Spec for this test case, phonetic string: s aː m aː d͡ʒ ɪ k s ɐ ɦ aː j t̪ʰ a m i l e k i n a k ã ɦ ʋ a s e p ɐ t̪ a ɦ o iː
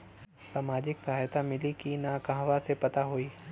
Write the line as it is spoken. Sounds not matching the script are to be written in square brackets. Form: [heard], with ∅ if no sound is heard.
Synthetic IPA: s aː m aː d͡ʒ ɪ k s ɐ ɦ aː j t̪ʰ a m [ɪ] l [i] k i n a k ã ɦ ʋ a s e p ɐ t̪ a ɦ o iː